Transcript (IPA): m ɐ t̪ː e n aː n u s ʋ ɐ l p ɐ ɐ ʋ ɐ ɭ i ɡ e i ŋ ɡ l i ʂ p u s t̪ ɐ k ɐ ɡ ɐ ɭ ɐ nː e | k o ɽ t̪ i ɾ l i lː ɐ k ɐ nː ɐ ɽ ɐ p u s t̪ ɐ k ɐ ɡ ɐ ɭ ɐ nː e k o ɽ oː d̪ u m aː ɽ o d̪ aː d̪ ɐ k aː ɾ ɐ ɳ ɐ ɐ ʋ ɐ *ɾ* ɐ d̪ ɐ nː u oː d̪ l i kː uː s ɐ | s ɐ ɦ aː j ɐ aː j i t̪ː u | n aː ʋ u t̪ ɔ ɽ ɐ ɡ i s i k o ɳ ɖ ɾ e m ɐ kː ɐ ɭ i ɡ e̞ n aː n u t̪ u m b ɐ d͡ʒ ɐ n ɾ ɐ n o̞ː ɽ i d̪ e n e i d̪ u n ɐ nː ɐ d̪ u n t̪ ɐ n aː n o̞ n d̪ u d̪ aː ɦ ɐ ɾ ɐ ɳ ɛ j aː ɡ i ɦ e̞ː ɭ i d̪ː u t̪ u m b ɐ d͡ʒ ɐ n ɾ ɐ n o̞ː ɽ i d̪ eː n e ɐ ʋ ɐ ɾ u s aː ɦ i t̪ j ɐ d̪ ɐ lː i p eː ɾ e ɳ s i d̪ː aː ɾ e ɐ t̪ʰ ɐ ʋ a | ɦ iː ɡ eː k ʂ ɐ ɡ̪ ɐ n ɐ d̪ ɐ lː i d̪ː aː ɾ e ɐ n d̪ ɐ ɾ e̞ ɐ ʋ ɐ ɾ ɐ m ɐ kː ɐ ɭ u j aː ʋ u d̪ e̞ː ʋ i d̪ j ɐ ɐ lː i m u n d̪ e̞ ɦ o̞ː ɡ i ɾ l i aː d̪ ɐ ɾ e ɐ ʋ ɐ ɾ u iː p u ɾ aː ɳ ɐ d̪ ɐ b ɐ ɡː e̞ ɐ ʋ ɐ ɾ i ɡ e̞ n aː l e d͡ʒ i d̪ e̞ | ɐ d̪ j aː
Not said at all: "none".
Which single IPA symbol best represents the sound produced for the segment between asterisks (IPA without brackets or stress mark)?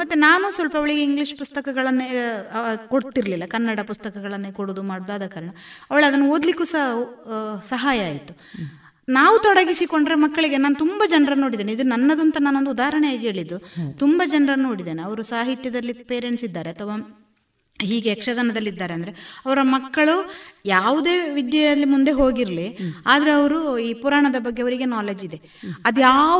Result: ɭ